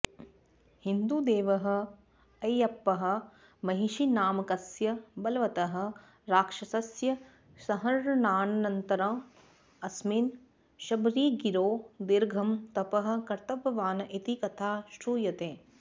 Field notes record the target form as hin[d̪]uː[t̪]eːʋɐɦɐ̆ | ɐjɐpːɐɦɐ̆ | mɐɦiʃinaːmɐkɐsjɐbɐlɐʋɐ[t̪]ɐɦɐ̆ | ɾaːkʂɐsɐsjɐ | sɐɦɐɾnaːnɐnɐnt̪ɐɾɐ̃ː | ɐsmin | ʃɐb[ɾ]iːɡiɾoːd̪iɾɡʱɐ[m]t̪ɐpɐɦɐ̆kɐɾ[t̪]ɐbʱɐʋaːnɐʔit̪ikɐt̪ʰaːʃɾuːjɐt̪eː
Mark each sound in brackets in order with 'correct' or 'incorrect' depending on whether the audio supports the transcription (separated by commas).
correct, incorrect, correct, correct, correct, correct